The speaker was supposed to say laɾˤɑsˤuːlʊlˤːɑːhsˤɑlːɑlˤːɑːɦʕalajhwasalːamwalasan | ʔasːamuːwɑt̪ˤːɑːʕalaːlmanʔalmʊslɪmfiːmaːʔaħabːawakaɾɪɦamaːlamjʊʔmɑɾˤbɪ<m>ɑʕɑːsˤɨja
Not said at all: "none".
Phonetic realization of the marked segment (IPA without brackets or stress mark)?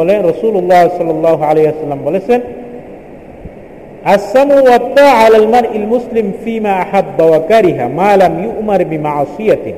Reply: m